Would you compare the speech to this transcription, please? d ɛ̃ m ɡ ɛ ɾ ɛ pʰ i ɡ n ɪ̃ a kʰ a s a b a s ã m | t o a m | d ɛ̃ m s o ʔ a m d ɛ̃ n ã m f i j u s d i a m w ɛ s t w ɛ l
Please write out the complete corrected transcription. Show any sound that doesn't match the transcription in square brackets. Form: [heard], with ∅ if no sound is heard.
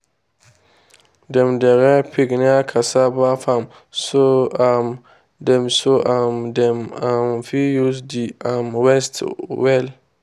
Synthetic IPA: d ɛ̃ m [d] ɛ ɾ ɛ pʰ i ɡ n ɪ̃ a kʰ a s a b a [f] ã m | [s] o a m | d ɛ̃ m s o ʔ a m d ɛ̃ [m] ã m f i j u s d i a m w ɛ s t w ɛ l

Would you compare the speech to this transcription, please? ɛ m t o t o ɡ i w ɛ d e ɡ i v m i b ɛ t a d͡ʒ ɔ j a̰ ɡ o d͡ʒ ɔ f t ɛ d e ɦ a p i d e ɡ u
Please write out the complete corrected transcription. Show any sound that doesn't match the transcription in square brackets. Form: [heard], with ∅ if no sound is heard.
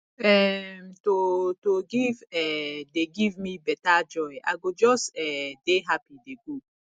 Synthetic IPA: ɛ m t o t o ɡ i [v] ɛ d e ɡ i v m i b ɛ t a d͡ʒ ɔ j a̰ ɡ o d͡ʒ ɔ [s] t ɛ d e ɦ a p i d e ɡ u

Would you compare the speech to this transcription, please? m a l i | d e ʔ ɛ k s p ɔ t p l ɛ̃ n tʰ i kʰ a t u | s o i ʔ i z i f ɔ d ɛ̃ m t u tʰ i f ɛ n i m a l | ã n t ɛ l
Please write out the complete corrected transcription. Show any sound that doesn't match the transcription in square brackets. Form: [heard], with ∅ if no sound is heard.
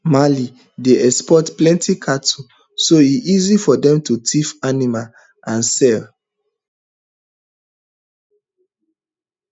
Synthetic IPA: m a l i | d e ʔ ɛ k s p ɔ t p l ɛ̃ n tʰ i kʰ a t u | s o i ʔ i z i f ɔ d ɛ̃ m t u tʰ i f [a] n i m a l | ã n [s] ɛ l

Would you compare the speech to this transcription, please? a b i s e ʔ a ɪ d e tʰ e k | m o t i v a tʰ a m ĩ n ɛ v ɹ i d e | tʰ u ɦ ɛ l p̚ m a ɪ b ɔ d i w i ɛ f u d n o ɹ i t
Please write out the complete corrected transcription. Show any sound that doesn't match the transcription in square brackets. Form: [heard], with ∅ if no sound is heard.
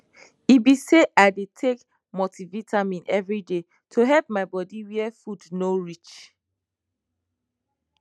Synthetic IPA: [i] b i s e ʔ a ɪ d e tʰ e k | m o t i v [i] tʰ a m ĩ n ɛ v ɹ i d e | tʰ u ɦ ɛ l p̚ m a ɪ b ɔ d i w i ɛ f u d n o ɹ i [t͡ʃ]

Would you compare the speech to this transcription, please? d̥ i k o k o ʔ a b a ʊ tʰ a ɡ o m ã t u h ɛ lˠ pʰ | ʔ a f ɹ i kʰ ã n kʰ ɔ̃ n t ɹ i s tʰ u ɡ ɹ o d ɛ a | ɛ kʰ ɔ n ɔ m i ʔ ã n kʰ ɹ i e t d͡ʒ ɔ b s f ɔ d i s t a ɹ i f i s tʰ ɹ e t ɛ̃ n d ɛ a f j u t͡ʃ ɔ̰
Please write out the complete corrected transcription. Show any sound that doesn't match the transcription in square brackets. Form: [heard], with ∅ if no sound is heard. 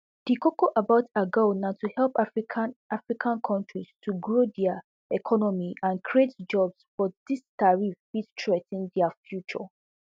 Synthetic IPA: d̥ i k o k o ʔ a b a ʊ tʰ a ɡ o [n] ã t u h ɛ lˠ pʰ | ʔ a f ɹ i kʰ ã n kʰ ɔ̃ n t ɹ i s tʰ u ɡ ɹ o d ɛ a | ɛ kʰ ɔ n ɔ m i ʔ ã n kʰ ɹ i e t d͡ʒ ɔ b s f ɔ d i s t a ɹ i f i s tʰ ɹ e t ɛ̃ n d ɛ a f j u t͡ʃ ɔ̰

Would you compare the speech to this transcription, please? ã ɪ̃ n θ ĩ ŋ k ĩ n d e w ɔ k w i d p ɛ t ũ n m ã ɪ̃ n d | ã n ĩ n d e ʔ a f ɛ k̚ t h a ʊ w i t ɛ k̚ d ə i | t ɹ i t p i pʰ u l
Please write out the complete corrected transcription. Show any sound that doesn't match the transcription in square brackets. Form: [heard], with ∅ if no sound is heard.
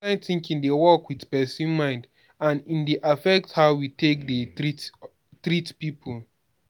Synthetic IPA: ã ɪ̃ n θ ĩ ŋ k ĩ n d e w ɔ k w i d p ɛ [s] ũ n m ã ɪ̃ n d | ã n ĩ n d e ʔ a f ɛ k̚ t h a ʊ w i t [e] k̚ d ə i | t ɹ i t p i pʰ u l

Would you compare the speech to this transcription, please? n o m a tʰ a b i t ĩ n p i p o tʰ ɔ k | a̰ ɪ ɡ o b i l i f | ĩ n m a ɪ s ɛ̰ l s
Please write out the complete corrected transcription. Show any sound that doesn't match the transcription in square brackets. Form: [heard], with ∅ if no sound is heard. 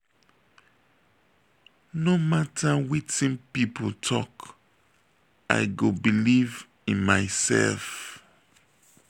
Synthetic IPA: n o m a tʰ a [w] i t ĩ n p i p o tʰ ɔ k | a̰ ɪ ɡ o b i l i [v] | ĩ n m a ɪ s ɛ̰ l [f]

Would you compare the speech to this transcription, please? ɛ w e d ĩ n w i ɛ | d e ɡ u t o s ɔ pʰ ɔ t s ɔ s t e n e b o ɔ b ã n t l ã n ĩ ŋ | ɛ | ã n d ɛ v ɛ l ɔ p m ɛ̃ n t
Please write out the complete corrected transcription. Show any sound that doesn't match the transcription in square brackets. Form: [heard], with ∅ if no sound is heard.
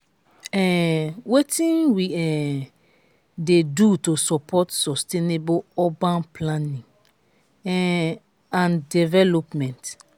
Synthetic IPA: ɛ w e [t] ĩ n w i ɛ | d e [d] u t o s ɔ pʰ ɔ t s ɔ s t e n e b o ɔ b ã n [p] l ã n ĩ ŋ | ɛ | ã n d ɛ v ɛ l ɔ p m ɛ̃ n t

